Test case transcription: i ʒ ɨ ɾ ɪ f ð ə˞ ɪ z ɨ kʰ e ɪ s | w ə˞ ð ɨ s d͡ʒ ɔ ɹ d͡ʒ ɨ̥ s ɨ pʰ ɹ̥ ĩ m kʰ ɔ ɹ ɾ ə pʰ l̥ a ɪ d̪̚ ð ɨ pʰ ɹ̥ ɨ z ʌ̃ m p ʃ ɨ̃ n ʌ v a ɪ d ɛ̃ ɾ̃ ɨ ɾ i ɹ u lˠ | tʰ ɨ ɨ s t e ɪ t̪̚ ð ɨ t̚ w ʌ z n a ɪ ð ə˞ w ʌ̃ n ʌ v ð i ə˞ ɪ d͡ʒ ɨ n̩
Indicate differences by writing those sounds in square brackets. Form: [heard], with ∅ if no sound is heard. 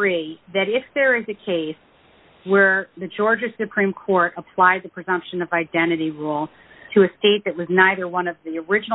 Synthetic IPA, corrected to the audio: i [ð] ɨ ɾ ɪ f ð ə˞ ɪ z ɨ kʰ e ɪ s | w ə˞ ð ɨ [∅] d͡ʒ ɔ ɹ d͡ʒ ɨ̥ s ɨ pʰ ɹ̥ ĩ m kʰ ɔ ɹ ɾ ə pʰ l̥ a ɪ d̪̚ ð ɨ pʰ ɹ̥ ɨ z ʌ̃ m p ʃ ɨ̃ n ʌ v a ɪ d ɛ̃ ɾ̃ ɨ ɾ i ɹ u lˠ | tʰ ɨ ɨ s t e ɪ t̪̚ ð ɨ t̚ w ʌ z n a ɪ ð ə˞ w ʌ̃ n ʌ v ð i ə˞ ɪ d͡ʒ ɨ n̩

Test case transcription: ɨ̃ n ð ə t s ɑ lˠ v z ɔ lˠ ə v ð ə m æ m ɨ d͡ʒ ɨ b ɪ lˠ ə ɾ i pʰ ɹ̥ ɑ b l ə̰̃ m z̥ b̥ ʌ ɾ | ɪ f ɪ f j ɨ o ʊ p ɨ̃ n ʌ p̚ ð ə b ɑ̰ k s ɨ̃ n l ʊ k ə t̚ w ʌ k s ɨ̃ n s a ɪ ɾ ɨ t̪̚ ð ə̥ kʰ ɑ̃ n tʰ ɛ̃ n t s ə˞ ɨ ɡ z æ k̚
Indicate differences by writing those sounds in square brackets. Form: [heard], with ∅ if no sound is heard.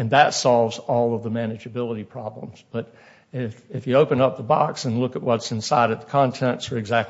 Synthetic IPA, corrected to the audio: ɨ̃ n ð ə t s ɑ lˠ v z ɔ lˠ [ʌ] v ð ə m æ [n] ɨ d͡ʒ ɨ b ɪ lˠ ə ɾ i pʰ ɹ̥ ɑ b l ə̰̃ m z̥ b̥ ʌ ɾ | ɪ f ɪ f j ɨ o ʊ p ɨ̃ n ʌ p̚ ð ə b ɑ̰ k s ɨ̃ n l ʊ k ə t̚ w ʌ [t] s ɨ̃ n s a ɪ ɾ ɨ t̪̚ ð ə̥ kʰ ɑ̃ n tʰ ɛ̃ n t s ə˞ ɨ ɡ z æ k̚

